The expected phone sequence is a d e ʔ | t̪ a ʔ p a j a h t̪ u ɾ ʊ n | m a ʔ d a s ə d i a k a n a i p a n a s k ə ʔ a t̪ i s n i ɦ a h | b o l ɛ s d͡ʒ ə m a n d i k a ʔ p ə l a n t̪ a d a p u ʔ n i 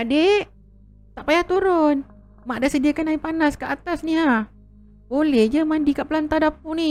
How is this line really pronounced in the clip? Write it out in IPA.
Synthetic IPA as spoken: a d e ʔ | t̪ a ʔ p a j a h t̪ u ɾ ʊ n | m a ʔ d a s ə d i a k a n a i p a n a s k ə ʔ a t̪ a s n i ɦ a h | b o l ɛ h d͡ʒ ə m a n d i k a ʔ p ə l a n t̪ a d a p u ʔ n i